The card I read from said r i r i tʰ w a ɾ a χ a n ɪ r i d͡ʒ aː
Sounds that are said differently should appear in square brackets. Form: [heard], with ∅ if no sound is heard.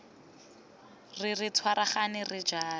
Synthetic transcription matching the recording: r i r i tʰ w a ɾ a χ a n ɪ r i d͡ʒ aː

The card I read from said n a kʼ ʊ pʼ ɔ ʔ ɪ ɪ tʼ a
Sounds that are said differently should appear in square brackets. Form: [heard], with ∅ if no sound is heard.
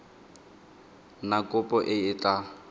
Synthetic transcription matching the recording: n a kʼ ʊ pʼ ɔ ʔ ɪ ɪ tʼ a

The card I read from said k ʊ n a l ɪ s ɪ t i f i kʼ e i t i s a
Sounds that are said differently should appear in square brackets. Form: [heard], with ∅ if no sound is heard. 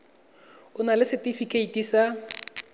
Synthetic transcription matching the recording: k ʊ n a l ɪ s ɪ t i f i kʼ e i t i s a

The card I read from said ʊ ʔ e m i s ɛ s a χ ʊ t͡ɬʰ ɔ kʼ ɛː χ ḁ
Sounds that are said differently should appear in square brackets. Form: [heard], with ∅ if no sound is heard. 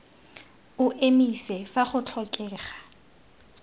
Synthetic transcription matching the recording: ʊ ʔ e m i s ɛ [f] a χ ʊ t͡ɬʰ ɔ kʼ ɛː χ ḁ

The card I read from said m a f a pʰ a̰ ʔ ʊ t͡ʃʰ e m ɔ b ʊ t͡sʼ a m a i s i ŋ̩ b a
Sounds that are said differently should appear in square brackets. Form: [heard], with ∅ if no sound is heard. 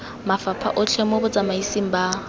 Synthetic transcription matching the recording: m a f a pʰ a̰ ʔ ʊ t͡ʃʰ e m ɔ b ʊ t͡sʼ a m a i s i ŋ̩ b a

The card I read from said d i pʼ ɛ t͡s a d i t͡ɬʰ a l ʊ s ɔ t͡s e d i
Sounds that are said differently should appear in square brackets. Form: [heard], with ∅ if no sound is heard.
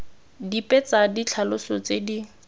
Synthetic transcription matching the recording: d i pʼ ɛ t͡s a d i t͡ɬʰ a l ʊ s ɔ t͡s e d i

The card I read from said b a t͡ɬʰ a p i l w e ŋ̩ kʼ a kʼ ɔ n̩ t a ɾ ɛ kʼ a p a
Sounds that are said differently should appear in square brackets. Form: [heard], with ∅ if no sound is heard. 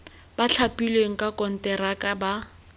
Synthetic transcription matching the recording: b a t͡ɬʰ a p i l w e ŋ̩ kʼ a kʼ ɔ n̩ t [ɛ] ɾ [a] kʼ a [b] a

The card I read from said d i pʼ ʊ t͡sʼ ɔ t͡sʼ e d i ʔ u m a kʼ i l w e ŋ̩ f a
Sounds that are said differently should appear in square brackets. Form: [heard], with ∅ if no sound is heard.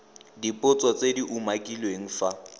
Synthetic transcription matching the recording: d i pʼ ʊ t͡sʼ ɔ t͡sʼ e d i ʔ u m a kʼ i l w e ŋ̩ f a

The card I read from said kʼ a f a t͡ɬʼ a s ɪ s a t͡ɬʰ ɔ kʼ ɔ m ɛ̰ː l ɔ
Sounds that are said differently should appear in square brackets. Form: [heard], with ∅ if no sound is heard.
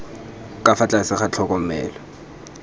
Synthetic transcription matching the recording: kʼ a f a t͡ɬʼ a s ɪ [χ] a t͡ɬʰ ɔ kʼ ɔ m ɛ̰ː l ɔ

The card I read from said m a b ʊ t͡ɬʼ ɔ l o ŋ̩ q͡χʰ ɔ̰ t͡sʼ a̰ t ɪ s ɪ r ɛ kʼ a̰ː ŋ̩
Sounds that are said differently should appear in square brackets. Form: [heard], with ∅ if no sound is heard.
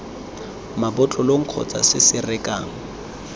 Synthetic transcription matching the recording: m a b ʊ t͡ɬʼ ɔ l o ŋ̩ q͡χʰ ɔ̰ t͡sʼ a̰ [s] ɪ s ɪ r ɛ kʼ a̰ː ŋ̩

